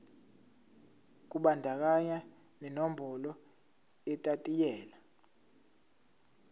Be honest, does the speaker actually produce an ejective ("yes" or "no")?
yes